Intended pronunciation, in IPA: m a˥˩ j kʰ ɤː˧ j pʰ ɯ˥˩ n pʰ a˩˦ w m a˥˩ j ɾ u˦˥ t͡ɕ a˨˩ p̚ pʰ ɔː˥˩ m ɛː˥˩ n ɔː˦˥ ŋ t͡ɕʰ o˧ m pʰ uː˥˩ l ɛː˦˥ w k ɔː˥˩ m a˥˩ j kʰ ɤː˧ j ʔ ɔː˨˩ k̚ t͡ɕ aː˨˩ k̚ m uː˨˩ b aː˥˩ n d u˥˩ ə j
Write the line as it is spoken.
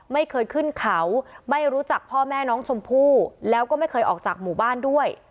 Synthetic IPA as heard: m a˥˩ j kʰ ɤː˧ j kʰ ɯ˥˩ n kʰ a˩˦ w m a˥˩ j ɾ uː˦˥ t͡ɕ a˨˩ k̚ pʰ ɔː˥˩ m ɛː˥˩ n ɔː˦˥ ŋ t͡ɕʰ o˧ m pʰ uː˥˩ l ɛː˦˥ w k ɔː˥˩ m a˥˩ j kʰ ɤː˧ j ʔ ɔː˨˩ k̚ t͡ɕ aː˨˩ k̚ m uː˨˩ b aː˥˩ n d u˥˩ ə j